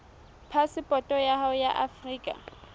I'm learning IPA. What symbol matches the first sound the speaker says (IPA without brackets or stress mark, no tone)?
pʰ